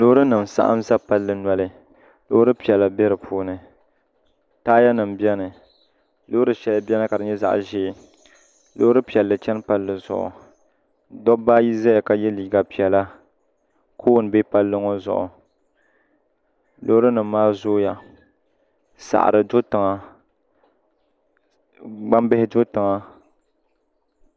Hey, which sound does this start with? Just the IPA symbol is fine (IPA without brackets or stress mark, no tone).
l